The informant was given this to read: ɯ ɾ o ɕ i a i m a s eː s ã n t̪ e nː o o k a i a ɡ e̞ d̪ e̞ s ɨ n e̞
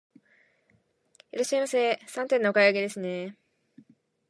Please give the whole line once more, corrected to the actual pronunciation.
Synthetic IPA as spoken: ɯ ɾ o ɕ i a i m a s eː s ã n t̪ e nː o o k a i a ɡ e̞ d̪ e̞ s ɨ n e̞